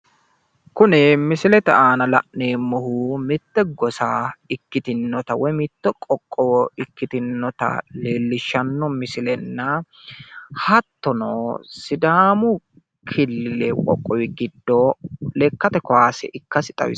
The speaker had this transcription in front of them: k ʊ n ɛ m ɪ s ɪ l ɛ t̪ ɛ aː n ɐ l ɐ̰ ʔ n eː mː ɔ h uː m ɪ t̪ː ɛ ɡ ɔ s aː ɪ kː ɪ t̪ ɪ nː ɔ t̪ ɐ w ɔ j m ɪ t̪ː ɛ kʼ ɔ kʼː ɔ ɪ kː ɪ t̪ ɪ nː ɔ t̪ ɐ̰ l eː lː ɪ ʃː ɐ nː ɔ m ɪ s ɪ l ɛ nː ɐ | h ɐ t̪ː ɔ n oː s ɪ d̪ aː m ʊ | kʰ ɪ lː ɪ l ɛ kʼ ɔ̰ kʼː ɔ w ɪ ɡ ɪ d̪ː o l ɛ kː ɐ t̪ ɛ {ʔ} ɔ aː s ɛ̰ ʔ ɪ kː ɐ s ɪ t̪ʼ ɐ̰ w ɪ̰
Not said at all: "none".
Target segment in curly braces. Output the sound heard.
k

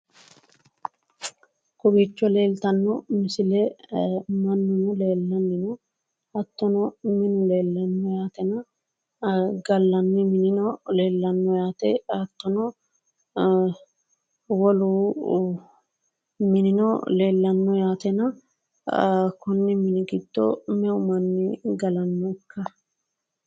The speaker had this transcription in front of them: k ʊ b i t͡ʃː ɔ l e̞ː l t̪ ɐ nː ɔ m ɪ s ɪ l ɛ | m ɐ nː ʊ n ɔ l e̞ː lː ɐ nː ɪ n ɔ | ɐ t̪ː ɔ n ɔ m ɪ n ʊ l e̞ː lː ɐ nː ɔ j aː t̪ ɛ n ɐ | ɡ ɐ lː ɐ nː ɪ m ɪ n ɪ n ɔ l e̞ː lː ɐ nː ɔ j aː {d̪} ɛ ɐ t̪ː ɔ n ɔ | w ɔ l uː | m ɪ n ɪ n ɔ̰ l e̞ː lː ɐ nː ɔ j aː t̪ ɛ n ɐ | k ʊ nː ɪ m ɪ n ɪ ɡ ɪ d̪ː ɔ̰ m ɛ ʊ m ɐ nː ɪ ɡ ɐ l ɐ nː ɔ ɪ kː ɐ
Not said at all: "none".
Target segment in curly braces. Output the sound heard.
t̪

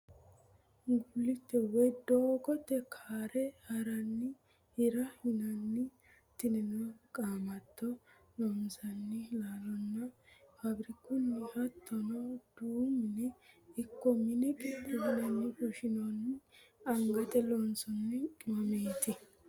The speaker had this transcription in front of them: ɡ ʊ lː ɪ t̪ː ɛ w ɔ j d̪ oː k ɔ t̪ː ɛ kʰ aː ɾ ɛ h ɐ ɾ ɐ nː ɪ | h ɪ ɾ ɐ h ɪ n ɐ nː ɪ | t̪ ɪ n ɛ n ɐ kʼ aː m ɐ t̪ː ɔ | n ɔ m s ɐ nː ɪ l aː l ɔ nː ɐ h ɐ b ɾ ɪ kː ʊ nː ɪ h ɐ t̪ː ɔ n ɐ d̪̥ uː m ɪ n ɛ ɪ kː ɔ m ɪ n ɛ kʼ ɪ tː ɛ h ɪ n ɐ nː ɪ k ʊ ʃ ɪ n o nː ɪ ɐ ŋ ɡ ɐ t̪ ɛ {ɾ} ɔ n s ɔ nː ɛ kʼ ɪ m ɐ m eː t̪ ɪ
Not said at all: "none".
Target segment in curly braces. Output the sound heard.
l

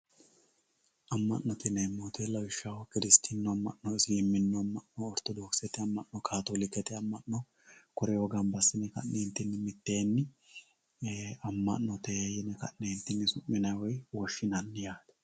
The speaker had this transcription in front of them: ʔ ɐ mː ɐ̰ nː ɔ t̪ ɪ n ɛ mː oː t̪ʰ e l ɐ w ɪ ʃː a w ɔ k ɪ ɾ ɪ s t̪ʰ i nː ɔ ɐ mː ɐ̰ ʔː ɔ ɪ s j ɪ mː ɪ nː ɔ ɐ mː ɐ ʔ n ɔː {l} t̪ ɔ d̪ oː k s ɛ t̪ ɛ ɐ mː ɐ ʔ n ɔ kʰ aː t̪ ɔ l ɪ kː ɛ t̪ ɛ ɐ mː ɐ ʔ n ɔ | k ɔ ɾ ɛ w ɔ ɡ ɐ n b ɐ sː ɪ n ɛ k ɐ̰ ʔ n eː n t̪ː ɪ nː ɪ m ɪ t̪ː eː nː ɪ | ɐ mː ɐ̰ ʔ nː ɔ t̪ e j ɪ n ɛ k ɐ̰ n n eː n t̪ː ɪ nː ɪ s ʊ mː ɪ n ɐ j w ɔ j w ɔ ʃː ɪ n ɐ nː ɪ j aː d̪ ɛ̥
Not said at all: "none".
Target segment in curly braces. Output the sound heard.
ɾ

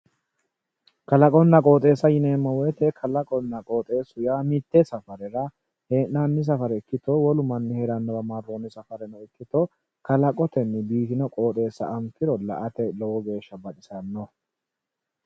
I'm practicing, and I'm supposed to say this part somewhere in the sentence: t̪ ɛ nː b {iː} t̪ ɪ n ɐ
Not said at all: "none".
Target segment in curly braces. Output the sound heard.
iː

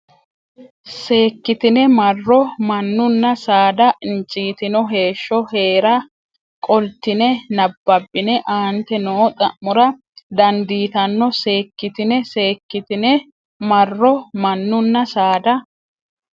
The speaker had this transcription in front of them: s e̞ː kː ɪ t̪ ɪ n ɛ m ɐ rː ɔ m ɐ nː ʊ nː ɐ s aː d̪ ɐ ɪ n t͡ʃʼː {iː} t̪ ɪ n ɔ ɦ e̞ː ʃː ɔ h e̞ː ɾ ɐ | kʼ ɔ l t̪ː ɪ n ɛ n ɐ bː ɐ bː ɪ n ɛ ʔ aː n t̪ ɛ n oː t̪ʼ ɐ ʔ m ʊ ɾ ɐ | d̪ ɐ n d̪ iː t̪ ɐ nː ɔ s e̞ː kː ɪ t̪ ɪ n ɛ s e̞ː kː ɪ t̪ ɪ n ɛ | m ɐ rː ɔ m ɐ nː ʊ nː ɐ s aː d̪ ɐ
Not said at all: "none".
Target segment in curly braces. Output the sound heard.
iː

